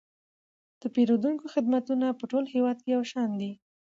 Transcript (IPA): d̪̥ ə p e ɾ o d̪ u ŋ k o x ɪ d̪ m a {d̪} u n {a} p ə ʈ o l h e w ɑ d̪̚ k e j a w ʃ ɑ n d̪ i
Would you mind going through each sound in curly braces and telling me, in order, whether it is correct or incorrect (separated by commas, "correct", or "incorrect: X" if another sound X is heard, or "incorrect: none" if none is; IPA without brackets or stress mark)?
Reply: incorrect: t̪, correct